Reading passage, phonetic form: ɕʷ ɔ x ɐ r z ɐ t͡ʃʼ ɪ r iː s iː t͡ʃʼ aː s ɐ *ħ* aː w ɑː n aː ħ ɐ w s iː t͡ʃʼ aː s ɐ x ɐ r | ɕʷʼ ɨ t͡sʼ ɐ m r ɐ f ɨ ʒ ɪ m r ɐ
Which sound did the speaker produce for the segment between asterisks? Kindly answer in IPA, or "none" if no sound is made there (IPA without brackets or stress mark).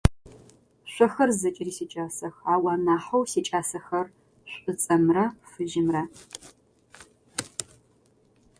x